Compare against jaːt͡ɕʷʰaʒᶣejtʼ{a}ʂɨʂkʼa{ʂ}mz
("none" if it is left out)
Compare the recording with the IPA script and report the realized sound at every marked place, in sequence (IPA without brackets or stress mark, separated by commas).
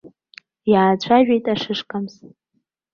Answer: a, none